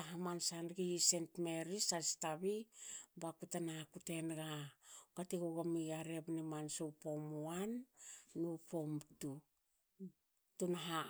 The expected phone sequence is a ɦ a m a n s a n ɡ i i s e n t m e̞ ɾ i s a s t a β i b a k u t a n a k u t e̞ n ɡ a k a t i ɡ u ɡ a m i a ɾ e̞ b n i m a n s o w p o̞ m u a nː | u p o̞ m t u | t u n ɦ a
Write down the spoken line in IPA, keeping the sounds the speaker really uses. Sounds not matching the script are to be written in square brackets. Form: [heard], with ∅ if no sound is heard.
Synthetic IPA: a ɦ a m a n s a n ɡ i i s e n t m e̞ ɾ i s a s t a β i b a k u t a n a k u t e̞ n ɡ a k a t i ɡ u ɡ a m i a ɾ e̞ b n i m a n s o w p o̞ m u a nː | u p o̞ m t u | t u n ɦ a